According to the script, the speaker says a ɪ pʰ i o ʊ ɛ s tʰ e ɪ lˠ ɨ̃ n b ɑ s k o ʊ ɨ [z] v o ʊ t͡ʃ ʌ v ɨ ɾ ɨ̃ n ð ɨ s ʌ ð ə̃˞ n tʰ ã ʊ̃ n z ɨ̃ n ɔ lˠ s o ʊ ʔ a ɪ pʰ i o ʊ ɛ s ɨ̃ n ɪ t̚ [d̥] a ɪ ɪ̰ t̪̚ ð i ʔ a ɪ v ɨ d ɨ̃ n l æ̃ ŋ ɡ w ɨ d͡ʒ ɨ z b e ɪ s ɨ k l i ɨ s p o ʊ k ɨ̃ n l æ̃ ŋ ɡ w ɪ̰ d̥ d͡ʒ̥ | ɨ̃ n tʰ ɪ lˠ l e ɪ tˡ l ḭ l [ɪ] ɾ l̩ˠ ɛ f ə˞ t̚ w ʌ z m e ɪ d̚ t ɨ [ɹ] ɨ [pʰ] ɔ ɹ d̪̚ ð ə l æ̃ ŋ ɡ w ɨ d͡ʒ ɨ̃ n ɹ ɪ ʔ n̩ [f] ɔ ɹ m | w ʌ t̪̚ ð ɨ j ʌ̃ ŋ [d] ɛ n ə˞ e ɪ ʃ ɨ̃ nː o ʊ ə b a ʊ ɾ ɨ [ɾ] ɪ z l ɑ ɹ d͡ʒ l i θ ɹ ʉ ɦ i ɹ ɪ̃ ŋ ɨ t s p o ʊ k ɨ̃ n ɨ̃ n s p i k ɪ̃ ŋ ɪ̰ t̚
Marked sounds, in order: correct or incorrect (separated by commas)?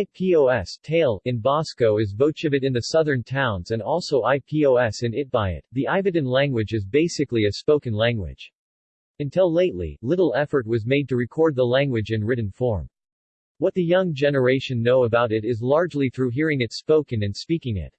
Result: correct, incorrect, correct, correct, incorrect, correct, incorrect, correct